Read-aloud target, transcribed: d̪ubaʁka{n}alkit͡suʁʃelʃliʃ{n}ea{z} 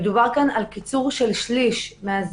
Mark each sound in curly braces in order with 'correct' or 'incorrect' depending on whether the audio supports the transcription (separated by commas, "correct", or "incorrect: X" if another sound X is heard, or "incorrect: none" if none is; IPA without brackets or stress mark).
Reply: correct, incorrect: m, correct